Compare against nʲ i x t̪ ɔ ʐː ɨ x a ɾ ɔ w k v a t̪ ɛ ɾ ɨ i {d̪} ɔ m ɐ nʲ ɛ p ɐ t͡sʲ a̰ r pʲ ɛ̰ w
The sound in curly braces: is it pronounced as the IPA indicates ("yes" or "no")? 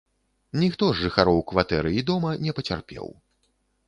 yes